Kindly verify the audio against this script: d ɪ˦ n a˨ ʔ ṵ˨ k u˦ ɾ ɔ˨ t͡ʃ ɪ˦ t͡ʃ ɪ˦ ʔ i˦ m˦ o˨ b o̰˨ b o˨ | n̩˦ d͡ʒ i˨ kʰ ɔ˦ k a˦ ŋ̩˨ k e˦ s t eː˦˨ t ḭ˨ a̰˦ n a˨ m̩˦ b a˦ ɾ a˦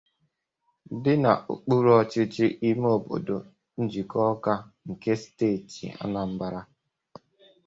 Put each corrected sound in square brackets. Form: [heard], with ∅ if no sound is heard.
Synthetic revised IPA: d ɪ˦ n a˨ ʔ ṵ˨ [k͡p] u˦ ɾ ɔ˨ t͡ʃ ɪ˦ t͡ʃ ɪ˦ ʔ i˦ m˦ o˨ b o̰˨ [d] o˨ | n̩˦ d͡ʒ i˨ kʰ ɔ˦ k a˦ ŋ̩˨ k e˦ s t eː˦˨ t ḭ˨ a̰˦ n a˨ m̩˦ b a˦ ɾ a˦